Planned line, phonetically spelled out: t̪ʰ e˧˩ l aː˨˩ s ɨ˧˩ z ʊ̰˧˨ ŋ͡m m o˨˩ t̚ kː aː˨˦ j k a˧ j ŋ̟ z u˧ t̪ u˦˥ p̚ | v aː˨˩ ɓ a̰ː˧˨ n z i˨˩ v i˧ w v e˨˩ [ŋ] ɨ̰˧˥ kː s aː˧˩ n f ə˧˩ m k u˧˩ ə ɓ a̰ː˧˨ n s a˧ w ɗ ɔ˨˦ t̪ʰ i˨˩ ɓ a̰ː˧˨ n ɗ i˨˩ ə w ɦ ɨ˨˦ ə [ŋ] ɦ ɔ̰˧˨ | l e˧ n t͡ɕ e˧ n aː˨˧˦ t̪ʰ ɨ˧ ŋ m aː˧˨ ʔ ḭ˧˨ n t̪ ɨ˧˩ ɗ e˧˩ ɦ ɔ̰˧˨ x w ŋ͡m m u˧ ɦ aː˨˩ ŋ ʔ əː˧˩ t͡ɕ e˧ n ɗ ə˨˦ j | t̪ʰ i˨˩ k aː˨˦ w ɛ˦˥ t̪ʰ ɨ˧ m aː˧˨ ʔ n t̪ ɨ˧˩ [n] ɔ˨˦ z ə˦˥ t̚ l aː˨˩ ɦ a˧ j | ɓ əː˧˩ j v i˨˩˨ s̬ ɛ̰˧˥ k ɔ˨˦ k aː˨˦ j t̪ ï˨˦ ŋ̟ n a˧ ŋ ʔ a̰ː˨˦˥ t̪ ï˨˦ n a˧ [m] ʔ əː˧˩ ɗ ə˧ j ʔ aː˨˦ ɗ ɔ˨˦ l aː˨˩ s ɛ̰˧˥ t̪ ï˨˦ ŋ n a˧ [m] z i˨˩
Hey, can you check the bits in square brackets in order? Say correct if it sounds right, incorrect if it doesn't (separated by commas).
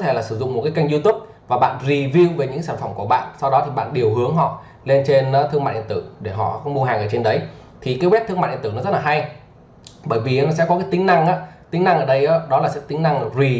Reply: incorrect, correct, correct, incorrect, incorrect